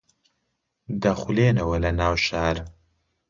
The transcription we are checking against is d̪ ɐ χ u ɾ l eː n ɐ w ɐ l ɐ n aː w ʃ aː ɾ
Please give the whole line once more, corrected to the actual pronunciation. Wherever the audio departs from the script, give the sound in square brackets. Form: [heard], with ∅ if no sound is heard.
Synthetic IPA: d̪ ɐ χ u [∅] l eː n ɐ w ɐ l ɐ n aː w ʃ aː ɾ